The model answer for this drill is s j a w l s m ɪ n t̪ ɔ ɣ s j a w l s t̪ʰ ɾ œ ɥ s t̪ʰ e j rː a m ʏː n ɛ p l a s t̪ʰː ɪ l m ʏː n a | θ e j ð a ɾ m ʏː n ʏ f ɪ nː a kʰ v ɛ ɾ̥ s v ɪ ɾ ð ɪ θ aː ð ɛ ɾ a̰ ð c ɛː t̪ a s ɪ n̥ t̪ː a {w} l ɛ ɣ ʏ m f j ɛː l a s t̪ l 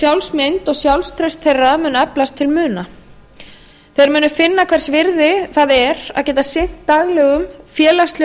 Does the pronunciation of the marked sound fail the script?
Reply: yes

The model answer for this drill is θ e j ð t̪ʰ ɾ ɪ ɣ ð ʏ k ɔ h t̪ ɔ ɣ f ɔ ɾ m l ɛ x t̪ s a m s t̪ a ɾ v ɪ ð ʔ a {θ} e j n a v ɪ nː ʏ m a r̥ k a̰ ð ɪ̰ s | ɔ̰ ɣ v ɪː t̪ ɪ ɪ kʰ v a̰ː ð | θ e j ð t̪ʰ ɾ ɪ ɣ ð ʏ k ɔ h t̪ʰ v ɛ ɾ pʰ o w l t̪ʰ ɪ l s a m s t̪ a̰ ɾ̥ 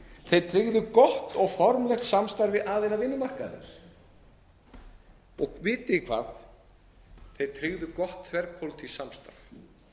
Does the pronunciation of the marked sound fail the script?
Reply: yes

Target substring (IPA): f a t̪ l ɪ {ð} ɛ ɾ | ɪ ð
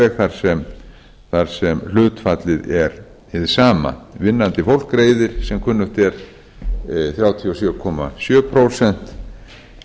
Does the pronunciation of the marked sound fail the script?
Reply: no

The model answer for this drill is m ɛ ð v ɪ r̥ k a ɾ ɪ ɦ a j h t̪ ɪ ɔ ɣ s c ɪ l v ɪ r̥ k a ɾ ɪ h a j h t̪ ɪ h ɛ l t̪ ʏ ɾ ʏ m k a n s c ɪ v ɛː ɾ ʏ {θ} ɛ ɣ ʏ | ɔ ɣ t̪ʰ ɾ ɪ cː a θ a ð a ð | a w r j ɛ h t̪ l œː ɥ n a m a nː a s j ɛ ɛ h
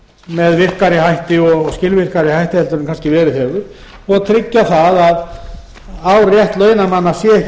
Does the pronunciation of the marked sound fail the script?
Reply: no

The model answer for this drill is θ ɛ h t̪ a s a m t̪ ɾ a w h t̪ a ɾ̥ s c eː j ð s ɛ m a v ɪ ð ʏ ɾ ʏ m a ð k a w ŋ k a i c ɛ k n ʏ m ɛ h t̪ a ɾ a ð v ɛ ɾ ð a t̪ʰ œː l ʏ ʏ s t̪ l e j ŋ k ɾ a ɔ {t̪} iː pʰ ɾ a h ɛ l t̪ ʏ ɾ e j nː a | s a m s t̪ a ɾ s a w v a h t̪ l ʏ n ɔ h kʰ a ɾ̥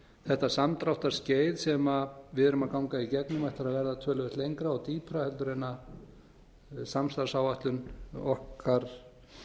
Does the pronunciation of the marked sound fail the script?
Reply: no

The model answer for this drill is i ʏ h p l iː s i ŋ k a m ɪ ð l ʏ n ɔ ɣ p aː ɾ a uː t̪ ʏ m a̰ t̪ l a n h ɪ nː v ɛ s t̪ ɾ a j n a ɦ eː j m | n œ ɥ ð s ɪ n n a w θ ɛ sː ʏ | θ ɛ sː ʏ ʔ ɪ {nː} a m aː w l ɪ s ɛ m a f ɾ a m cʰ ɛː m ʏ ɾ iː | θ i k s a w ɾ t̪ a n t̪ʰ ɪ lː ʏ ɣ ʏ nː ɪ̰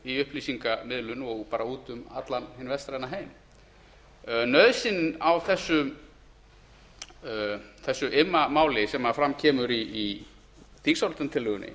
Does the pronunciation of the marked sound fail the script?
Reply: yes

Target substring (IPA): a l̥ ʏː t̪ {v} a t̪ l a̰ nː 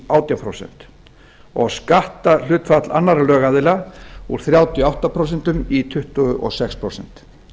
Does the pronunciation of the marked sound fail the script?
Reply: yes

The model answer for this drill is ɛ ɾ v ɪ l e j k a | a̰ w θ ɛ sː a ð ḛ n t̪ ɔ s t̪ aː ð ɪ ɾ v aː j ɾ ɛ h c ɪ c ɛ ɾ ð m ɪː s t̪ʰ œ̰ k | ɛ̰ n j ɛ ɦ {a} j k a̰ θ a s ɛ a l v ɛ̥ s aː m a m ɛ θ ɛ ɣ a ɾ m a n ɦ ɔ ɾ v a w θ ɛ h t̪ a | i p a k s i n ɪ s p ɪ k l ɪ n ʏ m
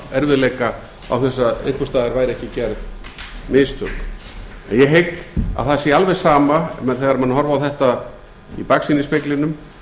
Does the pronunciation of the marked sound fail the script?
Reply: yes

